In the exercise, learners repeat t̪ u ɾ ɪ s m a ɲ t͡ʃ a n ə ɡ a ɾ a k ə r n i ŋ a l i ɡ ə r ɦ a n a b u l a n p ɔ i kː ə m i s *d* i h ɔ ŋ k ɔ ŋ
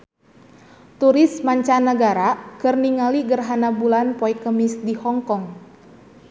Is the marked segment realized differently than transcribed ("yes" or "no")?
no